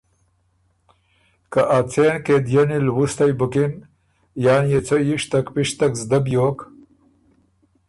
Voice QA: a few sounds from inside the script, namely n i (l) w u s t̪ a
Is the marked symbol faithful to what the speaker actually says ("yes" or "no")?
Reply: yes